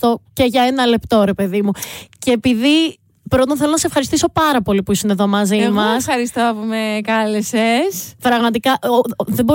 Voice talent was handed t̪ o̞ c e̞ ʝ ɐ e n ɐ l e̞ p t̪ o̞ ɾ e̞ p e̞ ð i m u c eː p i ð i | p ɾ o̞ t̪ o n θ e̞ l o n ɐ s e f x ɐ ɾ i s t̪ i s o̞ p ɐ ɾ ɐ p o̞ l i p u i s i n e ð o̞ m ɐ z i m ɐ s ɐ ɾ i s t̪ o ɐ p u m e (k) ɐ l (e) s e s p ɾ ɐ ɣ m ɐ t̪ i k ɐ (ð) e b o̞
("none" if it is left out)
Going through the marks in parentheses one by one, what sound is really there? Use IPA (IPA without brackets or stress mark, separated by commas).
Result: k, e, ð